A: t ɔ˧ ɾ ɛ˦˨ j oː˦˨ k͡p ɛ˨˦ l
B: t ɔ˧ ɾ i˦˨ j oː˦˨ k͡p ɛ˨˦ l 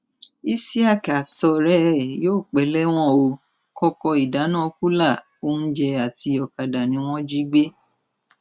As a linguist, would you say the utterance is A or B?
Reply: A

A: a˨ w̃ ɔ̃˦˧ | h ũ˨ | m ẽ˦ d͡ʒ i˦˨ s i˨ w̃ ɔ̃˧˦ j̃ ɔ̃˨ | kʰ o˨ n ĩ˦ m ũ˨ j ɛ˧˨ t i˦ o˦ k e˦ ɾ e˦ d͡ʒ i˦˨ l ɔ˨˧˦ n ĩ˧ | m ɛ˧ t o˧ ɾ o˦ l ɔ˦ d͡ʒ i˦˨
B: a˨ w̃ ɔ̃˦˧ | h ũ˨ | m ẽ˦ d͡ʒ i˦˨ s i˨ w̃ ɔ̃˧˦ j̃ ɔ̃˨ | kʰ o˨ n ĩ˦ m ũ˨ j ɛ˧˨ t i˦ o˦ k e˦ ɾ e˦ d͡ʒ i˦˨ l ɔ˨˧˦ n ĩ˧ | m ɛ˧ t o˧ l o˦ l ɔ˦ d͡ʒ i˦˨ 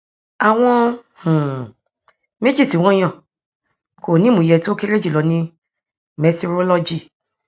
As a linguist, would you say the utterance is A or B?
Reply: A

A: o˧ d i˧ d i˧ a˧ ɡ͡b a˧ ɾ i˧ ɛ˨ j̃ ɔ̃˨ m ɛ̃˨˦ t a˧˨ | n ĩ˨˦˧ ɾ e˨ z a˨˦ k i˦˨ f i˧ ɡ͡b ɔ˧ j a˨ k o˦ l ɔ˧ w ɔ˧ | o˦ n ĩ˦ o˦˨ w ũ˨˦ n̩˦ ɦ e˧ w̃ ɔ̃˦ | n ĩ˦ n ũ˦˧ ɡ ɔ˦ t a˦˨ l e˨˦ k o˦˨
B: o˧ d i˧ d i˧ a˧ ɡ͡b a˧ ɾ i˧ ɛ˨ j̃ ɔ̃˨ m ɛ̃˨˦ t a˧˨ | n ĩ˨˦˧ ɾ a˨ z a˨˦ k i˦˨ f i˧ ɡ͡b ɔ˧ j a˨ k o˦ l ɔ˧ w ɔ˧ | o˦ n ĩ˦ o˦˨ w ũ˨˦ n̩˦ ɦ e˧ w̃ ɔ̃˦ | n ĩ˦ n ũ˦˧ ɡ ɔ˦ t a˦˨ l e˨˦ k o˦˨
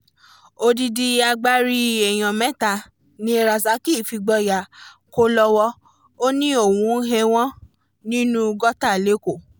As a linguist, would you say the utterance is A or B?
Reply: B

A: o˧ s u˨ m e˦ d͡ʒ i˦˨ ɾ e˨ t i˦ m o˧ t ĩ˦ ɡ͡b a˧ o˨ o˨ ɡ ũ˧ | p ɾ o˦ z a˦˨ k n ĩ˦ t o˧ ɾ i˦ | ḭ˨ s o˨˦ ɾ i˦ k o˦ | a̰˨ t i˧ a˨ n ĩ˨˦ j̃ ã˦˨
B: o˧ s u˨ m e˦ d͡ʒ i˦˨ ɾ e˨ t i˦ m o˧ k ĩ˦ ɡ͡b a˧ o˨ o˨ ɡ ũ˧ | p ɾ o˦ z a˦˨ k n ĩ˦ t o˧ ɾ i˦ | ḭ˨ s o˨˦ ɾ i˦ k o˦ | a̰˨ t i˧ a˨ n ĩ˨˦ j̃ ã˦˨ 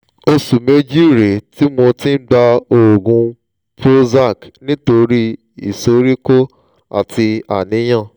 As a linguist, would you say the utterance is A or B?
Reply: A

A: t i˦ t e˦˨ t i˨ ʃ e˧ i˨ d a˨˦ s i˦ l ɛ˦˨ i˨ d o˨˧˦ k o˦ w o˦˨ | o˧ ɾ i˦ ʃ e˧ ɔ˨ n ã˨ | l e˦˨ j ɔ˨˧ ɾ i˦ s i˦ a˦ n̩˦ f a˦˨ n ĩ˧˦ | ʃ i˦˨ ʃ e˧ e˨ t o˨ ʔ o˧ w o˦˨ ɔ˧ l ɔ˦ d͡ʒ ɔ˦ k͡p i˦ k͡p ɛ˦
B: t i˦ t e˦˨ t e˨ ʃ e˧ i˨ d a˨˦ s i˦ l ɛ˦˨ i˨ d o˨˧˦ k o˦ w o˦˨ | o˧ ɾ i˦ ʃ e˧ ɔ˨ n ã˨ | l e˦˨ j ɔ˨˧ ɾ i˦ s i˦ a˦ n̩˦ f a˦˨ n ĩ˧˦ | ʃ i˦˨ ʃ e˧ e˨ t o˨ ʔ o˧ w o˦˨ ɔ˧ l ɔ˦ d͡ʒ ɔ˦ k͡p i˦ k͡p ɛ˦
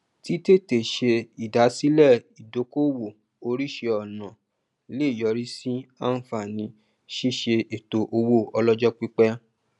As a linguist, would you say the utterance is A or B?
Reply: B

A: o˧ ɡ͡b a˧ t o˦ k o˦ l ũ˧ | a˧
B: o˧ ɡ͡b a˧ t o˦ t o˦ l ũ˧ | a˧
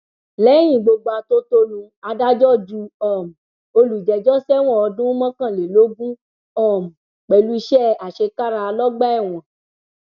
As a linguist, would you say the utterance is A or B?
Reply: B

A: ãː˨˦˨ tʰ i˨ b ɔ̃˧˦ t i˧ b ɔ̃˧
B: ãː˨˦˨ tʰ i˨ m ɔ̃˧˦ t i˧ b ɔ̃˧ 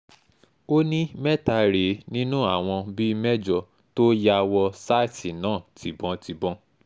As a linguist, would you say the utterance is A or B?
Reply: A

